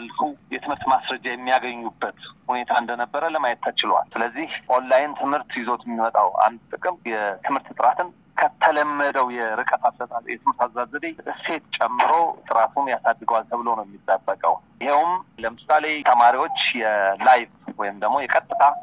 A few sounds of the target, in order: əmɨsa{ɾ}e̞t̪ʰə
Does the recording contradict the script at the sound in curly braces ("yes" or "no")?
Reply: yes